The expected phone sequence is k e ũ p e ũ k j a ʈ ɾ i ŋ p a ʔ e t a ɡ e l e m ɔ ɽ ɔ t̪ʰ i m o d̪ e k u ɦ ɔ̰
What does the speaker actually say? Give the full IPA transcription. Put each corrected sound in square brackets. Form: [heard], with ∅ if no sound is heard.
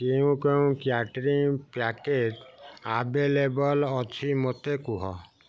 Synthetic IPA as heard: k e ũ [k] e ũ k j a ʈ ɾ i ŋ p a [k] e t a [b] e l e [b] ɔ [l] ɔ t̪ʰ i m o [t̪] e k u ɦ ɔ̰